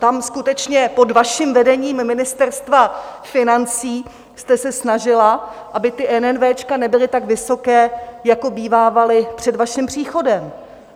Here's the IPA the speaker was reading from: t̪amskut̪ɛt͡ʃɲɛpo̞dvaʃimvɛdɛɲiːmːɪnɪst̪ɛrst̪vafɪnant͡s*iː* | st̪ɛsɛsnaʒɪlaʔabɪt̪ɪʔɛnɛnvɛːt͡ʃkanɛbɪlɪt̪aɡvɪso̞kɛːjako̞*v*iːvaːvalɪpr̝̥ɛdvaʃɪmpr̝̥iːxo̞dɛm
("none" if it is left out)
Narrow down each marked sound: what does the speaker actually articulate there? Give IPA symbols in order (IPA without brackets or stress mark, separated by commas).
iː, b